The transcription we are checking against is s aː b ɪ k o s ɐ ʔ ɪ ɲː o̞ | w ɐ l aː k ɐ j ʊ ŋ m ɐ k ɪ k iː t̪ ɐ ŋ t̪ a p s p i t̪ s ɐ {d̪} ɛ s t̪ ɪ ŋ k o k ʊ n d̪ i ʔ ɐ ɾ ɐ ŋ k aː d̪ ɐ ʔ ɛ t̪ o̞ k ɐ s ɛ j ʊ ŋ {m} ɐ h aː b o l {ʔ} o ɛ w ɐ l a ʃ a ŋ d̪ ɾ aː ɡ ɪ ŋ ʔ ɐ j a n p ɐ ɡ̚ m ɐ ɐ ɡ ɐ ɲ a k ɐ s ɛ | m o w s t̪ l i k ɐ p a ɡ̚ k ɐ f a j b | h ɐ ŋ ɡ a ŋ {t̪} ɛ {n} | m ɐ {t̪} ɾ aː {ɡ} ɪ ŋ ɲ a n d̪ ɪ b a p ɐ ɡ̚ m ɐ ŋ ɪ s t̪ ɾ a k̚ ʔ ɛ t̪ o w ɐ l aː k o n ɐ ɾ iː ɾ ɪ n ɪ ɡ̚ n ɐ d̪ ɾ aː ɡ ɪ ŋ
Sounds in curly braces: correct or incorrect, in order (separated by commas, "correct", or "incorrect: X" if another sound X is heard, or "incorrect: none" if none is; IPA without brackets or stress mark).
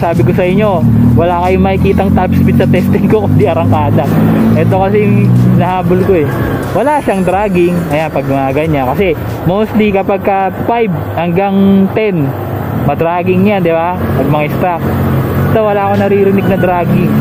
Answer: incorrect: t̪, incorrect: n, incorrect: k, correct, correct, incorrect: d̪, correct